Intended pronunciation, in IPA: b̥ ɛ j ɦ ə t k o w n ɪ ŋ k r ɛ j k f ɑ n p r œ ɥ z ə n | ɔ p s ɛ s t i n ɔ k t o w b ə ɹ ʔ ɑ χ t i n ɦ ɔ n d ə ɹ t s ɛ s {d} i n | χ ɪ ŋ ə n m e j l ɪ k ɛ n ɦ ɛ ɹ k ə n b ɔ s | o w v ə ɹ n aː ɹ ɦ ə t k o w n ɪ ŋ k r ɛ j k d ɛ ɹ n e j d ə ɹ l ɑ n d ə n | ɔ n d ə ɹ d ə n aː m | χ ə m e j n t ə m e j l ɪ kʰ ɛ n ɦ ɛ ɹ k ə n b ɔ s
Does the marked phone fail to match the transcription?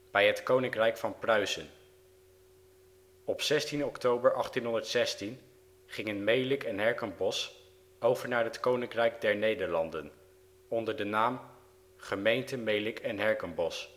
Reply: yes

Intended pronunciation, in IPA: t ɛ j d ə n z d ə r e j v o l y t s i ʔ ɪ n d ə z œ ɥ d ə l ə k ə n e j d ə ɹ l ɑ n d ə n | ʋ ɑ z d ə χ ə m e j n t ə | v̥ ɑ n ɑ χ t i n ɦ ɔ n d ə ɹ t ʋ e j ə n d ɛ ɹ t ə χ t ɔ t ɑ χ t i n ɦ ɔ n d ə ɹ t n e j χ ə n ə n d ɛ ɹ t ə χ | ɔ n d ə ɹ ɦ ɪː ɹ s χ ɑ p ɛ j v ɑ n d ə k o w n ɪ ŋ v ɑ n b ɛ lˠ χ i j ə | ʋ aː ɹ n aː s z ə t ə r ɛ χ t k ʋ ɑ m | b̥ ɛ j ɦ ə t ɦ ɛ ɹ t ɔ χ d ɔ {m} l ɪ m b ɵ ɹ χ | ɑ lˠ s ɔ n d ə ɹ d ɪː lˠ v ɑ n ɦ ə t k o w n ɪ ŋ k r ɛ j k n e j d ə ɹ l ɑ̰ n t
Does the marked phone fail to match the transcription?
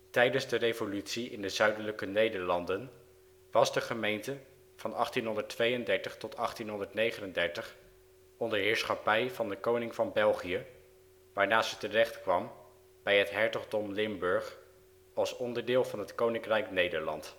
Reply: no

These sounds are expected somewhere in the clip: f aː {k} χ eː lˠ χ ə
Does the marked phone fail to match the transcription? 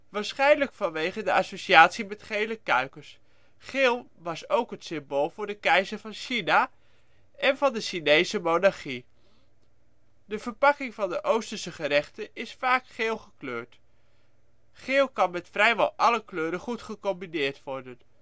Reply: no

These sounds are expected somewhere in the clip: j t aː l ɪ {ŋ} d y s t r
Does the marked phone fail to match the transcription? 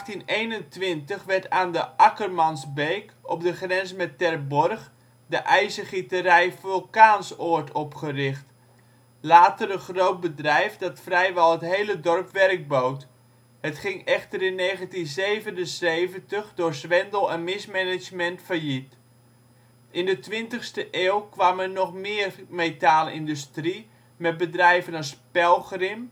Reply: yes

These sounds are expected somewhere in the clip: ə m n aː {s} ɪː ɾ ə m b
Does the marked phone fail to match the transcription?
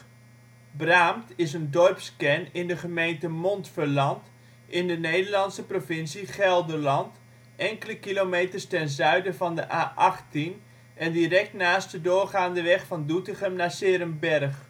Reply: no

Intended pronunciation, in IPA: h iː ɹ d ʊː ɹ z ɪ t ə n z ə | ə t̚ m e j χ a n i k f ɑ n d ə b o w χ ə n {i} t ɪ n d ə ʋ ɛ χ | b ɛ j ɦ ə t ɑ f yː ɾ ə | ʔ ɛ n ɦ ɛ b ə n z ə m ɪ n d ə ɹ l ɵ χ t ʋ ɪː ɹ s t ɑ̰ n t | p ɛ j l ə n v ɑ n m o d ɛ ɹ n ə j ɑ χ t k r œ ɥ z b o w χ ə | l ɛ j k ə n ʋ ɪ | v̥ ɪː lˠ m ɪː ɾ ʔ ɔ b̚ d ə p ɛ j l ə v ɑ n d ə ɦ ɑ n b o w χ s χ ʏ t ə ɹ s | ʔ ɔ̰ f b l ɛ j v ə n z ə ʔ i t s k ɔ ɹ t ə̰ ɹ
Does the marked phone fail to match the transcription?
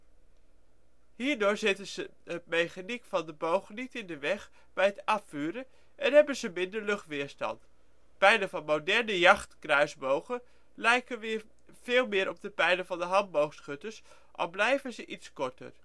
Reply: no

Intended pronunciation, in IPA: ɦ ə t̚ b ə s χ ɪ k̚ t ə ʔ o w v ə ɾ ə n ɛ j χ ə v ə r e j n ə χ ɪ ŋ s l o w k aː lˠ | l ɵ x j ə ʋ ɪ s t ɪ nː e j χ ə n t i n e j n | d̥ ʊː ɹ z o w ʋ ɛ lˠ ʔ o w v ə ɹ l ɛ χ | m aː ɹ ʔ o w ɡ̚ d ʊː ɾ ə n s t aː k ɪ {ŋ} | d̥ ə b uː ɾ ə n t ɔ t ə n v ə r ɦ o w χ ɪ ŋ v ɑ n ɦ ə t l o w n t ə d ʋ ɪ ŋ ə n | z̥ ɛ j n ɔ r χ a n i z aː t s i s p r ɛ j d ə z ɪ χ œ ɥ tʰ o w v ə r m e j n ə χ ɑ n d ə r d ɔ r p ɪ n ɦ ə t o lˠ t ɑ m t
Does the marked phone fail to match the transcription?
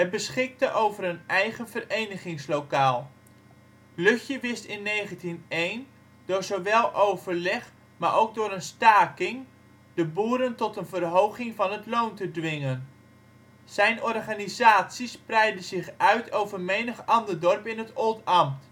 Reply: no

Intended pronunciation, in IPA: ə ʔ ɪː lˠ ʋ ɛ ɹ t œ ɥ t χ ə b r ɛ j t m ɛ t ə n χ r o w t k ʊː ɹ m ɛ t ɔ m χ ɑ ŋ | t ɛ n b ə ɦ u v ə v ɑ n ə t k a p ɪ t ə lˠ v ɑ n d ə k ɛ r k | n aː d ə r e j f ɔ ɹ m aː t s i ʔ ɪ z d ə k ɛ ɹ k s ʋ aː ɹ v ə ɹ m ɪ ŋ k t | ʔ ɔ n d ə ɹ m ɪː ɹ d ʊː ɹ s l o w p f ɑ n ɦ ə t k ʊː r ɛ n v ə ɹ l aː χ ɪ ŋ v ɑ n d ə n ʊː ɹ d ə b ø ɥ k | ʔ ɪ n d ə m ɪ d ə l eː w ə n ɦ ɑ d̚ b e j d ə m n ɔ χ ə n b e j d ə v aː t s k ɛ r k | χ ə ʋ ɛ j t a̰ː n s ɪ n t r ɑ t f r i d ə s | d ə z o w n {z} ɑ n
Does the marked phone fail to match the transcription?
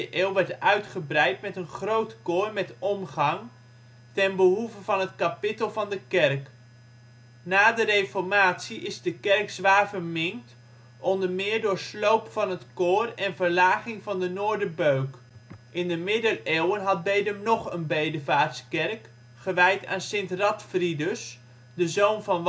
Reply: yes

